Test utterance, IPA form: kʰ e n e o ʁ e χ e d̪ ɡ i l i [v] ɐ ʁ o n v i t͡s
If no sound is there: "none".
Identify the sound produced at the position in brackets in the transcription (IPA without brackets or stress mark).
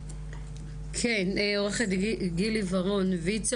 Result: v